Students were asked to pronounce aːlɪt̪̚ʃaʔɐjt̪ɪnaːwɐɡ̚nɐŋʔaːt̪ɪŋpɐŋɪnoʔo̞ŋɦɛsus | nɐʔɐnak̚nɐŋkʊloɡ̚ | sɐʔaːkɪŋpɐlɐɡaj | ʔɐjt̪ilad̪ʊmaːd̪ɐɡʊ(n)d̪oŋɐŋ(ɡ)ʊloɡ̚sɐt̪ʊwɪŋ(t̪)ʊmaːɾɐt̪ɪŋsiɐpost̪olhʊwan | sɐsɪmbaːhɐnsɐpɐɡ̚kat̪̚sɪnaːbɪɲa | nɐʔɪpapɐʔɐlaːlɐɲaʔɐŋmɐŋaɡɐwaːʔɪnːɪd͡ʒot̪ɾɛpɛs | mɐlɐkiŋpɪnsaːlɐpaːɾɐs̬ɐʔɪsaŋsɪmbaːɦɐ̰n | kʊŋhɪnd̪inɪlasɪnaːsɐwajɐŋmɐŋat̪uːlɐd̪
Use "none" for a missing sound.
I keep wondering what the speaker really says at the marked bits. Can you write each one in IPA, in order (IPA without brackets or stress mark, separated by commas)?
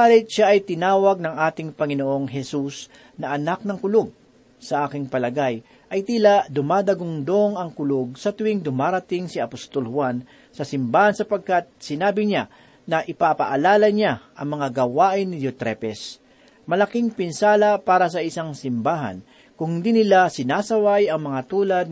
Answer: ŋ, k, d̪